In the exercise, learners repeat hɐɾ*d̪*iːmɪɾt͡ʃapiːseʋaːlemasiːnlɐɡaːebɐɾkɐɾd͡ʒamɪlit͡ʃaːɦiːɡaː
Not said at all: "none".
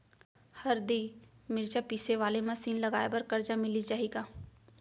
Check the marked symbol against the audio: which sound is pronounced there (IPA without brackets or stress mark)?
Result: d̪